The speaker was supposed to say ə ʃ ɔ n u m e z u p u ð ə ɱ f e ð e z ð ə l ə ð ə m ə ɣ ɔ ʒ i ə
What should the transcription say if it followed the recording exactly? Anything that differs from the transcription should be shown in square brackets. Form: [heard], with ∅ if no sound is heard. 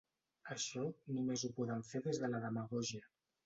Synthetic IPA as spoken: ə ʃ ɔ n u m e z u p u ð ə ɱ f e ð e z ð ə l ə ð ə m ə ɣ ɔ ʒ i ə